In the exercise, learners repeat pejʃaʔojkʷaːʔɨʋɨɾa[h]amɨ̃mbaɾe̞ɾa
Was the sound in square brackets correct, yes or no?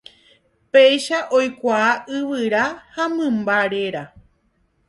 yes